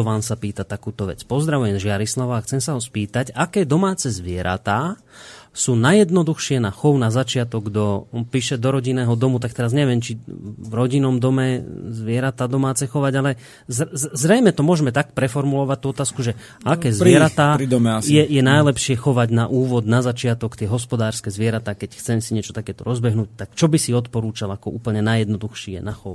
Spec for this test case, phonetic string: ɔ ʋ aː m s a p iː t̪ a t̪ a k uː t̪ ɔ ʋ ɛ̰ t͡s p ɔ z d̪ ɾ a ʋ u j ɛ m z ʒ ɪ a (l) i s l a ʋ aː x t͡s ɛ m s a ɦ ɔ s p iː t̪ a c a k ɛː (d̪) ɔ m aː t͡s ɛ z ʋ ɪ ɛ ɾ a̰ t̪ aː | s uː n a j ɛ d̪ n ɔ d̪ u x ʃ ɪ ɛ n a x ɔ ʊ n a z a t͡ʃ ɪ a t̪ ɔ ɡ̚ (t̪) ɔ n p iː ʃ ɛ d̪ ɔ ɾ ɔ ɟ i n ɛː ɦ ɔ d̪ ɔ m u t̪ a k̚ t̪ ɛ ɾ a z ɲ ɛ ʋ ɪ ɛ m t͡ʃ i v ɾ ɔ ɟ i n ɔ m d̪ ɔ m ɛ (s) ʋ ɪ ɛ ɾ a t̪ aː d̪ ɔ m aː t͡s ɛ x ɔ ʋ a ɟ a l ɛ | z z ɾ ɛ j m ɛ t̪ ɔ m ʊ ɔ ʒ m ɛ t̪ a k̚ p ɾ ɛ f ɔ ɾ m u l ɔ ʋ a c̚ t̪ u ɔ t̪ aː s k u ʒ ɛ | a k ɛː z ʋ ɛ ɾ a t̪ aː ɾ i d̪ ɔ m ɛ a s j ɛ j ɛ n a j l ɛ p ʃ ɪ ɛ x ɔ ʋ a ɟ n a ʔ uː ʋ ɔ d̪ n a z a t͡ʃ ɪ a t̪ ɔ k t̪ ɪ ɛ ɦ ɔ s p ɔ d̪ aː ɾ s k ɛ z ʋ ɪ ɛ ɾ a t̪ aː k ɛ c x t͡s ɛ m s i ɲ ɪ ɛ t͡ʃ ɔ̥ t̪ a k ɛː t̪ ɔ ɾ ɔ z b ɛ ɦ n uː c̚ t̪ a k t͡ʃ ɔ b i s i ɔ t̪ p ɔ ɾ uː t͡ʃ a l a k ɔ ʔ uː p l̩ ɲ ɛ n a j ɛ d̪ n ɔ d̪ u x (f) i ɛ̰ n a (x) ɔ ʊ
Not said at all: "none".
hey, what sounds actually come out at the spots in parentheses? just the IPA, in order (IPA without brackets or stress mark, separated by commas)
ɾ, d̪, d̪, z, ʃ, x